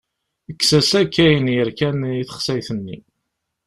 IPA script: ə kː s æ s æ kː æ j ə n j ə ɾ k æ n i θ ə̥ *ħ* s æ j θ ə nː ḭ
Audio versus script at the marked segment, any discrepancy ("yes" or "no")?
yes